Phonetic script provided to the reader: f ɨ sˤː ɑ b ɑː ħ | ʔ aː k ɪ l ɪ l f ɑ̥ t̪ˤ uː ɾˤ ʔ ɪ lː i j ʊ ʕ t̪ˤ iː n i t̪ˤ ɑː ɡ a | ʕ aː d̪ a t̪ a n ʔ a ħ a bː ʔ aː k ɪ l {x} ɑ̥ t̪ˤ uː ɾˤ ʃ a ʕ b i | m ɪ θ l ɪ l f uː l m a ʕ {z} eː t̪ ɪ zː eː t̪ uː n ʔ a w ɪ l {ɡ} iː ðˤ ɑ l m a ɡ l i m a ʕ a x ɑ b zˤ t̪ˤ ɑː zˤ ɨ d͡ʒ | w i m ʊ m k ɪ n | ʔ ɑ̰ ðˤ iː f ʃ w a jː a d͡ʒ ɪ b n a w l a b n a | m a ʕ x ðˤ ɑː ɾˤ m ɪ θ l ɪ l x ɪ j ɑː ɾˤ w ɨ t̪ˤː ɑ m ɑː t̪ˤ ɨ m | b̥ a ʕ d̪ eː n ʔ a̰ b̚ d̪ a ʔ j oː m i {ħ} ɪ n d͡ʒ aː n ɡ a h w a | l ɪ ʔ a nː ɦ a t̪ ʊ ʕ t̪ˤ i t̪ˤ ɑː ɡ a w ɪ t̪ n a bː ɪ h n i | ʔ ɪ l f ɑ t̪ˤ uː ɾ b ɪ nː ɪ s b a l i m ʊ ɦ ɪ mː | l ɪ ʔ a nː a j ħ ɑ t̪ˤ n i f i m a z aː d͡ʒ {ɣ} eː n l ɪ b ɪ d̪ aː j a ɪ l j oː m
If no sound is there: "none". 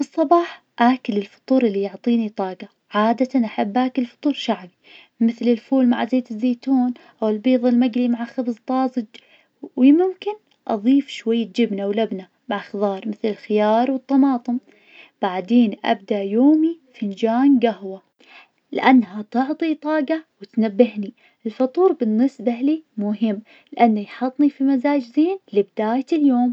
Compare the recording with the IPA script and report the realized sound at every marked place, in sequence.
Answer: f, z, b, f, z

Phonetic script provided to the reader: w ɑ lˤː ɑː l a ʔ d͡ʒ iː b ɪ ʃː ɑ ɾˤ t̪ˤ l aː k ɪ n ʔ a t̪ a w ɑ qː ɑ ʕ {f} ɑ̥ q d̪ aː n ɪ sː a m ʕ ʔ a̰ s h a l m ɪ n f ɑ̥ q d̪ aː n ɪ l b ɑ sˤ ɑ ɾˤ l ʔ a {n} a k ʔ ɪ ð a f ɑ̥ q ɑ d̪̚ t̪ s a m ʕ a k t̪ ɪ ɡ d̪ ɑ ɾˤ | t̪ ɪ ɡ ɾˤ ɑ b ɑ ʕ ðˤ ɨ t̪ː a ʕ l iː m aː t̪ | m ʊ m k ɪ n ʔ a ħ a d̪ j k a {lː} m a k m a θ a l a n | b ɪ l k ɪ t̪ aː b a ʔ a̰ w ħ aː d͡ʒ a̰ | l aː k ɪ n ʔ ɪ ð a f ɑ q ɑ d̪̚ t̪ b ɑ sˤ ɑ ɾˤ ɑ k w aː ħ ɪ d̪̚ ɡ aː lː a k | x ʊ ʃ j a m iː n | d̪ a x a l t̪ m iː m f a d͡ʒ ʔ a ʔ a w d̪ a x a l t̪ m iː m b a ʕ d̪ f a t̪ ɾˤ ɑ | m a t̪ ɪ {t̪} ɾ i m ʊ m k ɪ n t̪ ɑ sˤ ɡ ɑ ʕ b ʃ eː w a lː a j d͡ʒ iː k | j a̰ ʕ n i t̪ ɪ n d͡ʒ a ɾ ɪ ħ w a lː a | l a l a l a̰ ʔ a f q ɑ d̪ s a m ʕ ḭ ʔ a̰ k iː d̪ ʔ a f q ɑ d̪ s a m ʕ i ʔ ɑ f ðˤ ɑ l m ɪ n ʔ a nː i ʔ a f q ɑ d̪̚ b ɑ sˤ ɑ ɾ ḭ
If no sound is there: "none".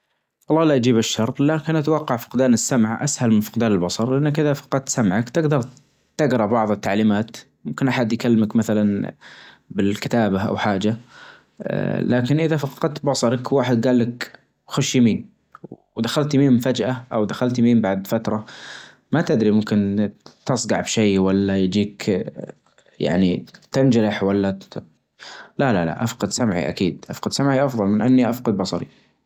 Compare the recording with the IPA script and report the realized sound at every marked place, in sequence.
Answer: f, nː, lː, d̪

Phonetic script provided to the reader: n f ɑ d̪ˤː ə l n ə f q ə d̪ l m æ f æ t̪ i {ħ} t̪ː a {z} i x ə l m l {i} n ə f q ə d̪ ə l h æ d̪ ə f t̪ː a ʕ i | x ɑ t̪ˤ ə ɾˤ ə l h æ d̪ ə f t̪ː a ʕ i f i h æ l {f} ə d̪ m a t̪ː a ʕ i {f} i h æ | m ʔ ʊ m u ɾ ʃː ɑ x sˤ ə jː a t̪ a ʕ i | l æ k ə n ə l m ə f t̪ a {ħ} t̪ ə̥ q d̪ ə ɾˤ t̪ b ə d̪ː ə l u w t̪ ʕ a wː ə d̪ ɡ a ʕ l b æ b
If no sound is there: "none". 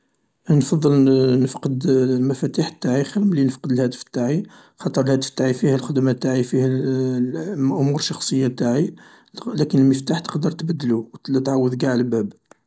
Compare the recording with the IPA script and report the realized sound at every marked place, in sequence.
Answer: ħ, ʕ, i, x, f, ħ

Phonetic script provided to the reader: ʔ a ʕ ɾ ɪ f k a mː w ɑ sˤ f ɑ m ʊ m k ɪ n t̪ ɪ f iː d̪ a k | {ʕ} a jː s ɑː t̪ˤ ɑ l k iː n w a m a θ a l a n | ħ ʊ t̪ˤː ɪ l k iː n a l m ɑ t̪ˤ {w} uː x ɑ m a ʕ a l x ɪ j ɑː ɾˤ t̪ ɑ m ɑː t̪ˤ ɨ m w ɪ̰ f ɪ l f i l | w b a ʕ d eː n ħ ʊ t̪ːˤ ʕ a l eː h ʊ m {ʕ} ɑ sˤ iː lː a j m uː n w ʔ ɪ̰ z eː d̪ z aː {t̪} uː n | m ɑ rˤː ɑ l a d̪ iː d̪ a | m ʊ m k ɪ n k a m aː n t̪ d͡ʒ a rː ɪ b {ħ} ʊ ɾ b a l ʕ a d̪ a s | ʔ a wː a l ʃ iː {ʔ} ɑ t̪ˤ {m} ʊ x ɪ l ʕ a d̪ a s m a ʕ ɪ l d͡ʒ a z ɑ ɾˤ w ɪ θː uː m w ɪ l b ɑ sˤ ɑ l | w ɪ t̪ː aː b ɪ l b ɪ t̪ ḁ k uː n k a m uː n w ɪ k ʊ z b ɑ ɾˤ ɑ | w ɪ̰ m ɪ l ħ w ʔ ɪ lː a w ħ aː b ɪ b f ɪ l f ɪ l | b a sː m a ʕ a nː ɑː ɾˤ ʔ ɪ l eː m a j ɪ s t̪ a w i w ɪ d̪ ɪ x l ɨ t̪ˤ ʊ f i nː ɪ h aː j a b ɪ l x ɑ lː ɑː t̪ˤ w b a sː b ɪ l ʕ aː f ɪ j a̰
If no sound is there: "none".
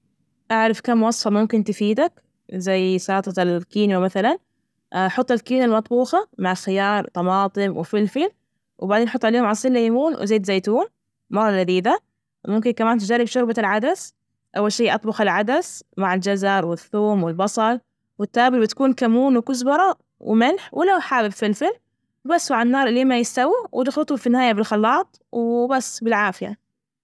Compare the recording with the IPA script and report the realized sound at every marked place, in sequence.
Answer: z, b, ʕ, t̪, ʃ, ʔ, b

